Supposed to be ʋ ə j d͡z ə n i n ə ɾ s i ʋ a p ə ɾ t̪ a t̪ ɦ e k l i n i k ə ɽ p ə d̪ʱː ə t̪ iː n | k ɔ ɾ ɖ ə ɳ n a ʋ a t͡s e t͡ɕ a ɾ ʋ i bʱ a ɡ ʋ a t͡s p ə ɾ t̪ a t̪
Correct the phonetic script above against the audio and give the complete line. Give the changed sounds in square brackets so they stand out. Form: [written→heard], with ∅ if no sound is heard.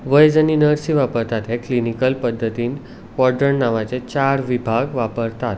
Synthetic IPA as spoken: ʋ ə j d͡z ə n i n ə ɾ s i ʋ a p ə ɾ t̪ a t̪ ɦ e k l i n i k ə [ɽ→l] p ə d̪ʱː ə t̪ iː n | k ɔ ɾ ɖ ə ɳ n a ʋ a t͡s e t͡ɕ a ɾ ʋ i bʱ a ɡ ʋ a [t͡s→∅] p ə ɾ t̪ a t̪